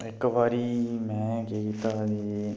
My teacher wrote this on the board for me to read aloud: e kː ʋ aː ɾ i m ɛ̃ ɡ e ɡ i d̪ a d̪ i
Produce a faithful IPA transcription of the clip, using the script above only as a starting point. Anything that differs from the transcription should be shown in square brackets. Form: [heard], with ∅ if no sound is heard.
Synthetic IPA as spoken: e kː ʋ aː ɾ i m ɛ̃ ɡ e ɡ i [t̪] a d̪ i